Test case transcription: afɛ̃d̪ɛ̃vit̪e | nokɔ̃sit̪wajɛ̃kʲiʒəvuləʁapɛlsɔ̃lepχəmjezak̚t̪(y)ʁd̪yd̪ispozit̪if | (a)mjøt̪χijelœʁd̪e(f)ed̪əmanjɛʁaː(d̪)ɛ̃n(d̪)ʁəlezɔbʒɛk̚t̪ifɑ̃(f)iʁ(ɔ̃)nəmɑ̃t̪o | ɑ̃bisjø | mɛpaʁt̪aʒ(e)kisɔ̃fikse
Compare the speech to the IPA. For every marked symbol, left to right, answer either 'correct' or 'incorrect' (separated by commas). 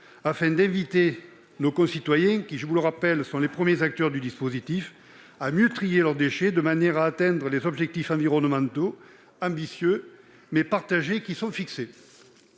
incorrect, correct, incorrect, incorrect, correct, incorrect, incorrect, correct